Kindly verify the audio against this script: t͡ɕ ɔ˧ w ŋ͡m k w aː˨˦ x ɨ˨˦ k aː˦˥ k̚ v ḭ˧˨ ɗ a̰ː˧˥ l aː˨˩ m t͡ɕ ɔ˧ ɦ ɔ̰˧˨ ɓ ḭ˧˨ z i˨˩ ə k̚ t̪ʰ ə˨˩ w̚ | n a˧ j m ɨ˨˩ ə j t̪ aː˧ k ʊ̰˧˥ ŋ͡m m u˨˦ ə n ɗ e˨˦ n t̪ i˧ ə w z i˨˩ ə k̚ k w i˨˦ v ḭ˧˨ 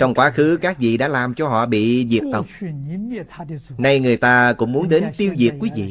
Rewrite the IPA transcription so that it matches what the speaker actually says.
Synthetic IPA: t͡ɕ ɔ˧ w ŋ͡m k w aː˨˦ x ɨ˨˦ k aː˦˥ k̚ v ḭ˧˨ ɗ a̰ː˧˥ l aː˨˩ m t͡ɕ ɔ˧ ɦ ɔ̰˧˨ ɓ ḭ˧˨ z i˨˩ ə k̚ t̪ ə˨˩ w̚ | n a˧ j ŋ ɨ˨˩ ə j t̪ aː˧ k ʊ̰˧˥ ŋ͡m m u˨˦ ə n ɗ e˨˦ n t̪ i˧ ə w z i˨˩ ə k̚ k w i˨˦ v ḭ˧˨